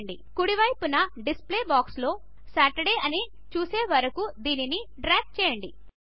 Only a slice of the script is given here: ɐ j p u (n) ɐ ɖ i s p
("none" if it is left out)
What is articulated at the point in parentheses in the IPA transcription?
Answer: n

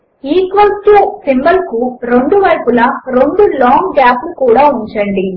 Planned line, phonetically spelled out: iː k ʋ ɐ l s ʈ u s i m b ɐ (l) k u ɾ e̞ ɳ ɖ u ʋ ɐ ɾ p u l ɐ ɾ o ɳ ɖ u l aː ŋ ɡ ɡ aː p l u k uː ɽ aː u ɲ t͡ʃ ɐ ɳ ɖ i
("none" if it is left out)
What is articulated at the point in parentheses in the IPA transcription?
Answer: l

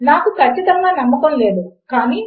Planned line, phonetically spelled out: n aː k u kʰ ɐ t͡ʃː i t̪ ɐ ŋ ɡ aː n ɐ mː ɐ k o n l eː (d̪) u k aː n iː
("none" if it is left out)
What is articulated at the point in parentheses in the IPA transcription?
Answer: d̪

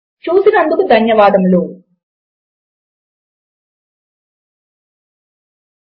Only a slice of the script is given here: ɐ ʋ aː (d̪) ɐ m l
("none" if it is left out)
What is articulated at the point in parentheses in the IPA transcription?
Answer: d̪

